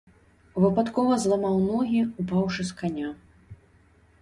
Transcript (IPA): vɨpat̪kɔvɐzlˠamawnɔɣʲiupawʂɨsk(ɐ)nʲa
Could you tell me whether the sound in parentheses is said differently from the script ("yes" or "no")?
yes